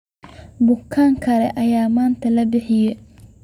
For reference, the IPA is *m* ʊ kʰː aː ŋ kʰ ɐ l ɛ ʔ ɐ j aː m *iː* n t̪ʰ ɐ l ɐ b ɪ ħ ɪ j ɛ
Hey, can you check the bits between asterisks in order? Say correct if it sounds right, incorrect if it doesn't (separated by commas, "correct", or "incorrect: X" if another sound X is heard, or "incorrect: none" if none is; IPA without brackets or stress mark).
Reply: incorrect: b, incorrect: aː